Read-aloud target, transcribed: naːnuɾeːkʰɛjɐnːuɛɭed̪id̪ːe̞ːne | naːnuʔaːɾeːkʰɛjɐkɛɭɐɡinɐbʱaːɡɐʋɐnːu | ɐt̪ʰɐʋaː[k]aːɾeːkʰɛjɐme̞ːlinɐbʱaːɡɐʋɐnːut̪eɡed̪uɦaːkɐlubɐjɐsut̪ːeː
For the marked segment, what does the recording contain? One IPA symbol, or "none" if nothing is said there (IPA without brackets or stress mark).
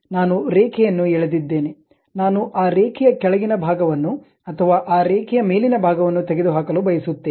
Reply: ʔ